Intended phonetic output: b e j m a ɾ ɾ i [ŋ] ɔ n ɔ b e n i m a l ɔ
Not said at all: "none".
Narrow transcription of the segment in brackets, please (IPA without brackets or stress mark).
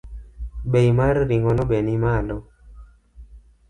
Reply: ŋ